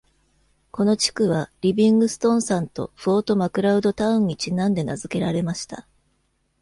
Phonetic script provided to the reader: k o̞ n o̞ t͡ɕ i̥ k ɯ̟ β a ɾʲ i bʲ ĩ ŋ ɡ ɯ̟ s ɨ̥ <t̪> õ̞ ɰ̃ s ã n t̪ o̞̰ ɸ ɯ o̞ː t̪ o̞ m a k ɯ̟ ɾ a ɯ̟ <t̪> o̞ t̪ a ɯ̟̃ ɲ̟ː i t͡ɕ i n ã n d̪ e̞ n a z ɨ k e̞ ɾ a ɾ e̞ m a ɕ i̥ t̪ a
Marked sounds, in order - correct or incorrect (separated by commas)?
correct, incorrect